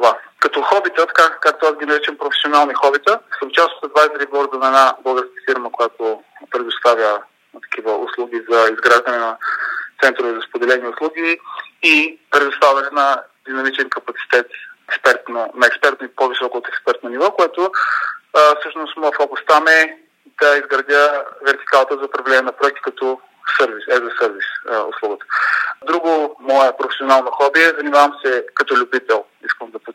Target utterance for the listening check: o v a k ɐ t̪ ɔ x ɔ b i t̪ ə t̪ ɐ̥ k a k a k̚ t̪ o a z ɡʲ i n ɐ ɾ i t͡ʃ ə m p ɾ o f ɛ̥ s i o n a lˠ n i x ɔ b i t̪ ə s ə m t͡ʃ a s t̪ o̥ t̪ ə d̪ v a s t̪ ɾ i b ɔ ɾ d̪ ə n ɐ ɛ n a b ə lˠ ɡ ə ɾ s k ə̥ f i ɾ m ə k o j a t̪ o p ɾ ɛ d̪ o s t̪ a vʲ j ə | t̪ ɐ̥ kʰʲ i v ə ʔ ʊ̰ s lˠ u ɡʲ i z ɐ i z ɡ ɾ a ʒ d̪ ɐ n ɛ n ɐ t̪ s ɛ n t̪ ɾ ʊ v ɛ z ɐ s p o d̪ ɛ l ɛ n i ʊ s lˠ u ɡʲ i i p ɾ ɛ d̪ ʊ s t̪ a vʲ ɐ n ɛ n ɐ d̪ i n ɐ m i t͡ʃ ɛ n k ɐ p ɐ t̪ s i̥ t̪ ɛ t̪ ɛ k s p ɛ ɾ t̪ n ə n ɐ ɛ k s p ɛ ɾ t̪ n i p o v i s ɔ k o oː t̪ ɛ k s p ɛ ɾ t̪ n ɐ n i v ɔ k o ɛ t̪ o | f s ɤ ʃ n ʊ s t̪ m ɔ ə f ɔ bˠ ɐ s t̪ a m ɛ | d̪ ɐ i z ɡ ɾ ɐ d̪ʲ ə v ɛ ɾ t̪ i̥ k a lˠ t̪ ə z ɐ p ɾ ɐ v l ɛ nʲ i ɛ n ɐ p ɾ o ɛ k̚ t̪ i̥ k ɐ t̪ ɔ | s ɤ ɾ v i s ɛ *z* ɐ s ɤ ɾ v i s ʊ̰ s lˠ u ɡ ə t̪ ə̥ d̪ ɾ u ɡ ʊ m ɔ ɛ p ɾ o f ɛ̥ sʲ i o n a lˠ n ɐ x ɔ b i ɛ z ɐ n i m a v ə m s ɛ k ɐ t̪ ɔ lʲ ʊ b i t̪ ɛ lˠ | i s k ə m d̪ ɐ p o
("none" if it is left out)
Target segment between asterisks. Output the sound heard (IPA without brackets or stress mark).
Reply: z